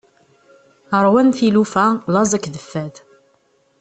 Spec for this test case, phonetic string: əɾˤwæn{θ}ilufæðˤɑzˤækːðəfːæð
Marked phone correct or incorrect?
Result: correct